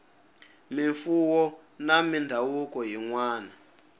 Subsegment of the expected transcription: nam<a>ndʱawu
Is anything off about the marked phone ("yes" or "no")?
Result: yes